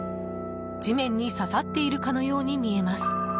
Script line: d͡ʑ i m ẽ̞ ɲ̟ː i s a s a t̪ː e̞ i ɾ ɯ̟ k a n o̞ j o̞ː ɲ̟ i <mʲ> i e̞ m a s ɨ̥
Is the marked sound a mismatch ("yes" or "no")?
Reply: no